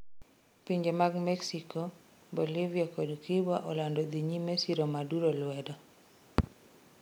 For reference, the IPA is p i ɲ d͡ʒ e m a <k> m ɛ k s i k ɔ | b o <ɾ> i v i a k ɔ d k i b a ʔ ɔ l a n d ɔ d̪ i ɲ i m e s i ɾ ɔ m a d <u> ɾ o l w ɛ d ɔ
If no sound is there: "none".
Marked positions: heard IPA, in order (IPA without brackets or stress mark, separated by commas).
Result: ɡ, l, u